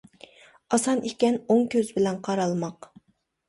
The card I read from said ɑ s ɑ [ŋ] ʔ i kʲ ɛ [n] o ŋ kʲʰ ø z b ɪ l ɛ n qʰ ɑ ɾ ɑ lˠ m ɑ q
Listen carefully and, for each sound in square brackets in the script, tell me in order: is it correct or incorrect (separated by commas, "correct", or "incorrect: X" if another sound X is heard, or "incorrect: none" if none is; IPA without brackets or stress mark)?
incorrect: n, correct